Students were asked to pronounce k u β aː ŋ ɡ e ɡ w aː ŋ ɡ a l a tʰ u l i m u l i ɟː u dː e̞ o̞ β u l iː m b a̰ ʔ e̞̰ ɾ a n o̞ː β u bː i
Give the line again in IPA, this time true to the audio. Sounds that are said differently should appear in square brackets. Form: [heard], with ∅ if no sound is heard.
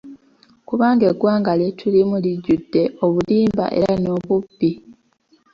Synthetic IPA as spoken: k u β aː ŋ ɡ e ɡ w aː ŋ ɡ a l [e] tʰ u l i m u l i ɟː u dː e̞ o̞ β u l iː m b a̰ ʔ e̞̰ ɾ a n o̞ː β u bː i